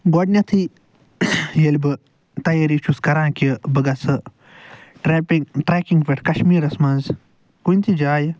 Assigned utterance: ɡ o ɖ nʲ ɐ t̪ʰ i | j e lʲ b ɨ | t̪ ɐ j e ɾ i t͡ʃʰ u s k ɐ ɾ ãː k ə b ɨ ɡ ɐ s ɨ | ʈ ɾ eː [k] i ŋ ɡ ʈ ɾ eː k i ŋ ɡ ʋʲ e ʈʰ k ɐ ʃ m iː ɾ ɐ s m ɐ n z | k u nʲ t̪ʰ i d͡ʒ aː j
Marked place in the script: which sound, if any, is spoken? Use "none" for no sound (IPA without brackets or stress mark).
p